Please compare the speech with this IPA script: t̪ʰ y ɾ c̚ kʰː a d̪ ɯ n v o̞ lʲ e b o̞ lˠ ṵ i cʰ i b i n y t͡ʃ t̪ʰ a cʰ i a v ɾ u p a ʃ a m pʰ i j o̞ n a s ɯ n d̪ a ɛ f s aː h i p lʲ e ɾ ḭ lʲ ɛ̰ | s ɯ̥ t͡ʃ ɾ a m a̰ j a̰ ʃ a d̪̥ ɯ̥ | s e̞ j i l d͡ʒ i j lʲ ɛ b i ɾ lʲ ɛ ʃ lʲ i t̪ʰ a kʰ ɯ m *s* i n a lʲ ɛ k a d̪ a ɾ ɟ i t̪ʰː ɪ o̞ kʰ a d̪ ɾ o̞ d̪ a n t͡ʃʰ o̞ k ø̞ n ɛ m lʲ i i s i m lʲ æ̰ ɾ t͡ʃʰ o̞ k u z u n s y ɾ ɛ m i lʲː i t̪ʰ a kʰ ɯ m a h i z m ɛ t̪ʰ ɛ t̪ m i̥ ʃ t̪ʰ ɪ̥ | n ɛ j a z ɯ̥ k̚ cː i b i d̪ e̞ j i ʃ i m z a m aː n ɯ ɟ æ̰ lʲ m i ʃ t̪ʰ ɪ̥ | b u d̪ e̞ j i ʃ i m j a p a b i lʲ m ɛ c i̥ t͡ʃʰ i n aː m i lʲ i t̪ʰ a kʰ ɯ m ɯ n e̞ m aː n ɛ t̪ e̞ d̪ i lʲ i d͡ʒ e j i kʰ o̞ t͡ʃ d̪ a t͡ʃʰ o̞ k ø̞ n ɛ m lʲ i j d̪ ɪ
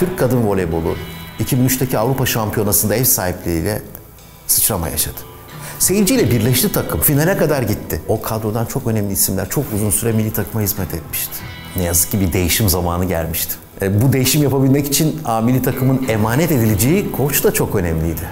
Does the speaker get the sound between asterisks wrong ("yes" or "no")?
yes